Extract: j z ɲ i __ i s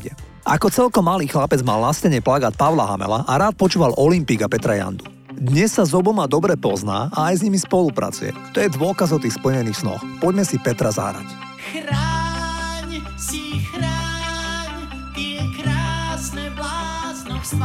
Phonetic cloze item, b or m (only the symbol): m